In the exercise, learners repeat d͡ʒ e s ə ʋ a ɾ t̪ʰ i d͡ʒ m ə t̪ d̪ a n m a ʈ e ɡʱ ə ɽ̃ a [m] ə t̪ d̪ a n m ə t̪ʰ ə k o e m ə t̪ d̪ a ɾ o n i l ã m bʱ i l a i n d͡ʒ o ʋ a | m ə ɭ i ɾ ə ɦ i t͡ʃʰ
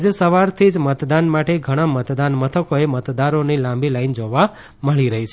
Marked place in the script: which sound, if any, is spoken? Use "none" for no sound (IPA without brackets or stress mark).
m